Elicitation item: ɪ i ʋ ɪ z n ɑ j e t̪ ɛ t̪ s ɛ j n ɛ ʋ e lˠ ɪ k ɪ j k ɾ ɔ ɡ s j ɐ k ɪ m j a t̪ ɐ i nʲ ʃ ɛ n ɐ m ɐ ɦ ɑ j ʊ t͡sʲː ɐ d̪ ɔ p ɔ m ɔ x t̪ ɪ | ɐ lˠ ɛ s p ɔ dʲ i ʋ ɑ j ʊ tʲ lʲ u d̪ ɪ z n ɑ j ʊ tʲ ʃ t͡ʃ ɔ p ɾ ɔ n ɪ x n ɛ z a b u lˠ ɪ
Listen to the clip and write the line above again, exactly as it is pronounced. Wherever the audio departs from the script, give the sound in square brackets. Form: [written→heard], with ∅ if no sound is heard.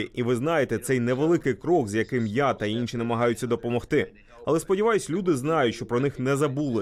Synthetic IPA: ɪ i ʋ ɪ z n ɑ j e t̪ ɛ t̪ s ɛ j n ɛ ʋ e lˠ ɪ k ɪ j k ɾ ɔ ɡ [s→z] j ɐ k ɪ m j a t̪ ɐ i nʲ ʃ [ɛ→i] n ɐ m ɐ ɦ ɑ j ʊ t͡sʲː ɐ d̪ ɔ p ɔ m ɔ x t̪ ɪ | ɐ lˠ ɛ s p ɔ dʲ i ʋ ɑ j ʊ [tʲ→sʲ] lʲ u d̪ ɪ z n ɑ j ʊ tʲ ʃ t͡ʃ ɔ p ɾ ɔ n ɪ x n ɛ z [a→ɐ] b u lˠ ɪ